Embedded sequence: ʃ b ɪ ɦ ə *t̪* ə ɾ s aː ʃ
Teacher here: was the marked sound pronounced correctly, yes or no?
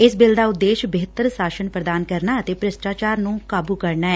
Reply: yes